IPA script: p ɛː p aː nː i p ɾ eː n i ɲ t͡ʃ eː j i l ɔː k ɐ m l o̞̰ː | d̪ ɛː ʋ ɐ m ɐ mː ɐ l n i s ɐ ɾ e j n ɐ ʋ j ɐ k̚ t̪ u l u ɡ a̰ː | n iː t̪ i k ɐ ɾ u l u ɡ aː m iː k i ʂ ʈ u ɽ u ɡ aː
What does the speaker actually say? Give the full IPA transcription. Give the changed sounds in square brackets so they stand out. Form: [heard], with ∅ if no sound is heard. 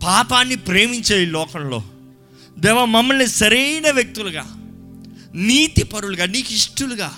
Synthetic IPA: p [aː] p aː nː i p ɾ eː [m] i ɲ t͡ʃ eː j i l ɔː k ɐ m l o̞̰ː | d̪ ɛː ʋ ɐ m ɐ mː ɐ l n i s ɐ ɾ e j n ɐ ʋ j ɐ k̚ t̪ u l u ɡ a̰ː | n iː t̪ i [p] ɐ ɾ u l u ɡ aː [n] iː k i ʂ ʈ u [l] u ɡ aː